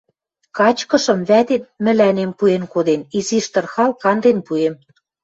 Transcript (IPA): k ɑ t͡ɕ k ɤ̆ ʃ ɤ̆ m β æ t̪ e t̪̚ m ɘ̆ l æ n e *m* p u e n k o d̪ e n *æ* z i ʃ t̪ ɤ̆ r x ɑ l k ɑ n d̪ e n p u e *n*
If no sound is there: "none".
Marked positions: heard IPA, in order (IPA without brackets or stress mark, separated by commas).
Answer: m, i, m